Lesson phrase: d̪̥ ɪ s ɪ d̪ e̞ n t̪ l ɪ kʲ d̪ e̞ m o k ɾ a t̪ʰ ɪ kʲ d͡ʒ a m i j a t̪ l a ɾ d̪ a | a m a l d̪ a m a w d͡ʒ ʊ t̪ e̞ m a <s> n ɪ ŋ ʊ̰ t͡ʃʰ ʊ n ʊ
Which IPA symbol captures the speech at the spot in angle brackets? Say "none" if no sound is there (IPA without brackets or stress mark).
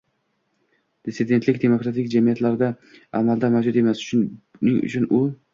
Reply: s